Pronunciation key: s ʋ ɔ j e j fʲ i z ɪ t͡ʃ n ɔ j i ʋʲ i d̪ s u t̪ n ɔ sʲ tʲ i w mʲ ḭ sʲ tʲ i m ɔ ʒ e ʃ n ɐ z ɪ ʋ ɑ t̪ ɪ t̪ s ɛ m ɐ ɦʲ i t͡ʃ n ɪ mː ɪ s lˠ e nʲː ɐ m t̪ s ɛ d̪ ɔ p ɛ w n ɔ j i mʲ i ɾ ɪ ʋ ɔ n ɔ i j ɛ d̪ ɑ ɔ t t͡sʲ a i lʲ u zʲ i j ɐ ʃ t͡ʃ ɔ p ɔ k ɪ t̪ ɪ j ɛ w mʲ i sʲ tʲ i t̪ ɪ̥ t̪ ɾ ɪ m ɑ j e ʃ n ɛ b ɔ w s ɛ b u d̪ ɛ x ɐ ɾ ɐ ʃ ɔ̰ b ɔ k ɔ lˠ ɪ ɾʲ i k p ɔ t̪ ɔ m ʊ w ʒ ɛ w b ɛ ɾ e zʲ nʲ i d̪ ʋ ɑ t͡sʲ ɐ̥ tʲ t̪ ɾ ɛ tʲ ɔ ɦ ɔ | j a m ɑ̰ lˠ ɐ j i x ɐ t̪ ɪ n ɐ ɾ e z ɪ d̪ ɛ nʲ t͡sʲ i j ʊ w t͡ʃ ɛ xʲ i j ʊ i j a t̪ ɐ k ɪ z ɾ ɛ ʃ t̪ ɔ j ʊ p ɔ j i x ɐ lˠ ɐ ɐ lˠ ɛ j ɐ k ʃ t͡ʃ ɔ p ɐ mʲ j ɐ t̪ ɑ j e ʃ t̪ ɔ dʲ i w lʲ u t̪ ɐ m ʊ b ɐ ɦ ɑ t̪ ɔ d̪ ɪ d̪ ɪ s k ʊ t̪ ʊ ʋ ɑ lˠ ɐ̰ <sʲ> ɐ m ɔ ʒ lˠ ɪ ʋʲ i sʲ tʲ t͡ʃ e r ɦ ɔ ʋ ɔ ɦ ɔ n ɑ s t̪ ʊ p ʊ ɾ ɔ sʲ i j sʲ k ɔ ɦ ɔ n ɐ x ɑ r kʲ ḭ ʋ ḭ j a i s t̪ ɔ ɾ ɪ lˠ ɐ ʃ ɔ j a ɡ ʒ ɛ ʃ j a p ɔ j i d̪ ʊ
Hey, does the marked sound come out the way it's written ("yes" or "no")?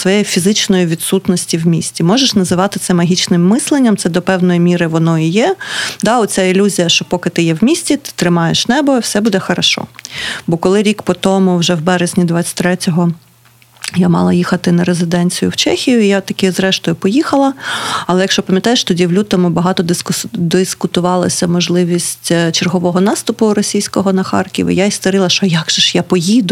yes